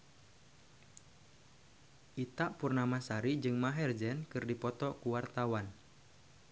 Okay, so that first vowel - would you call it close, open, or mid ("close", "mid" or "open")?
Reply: close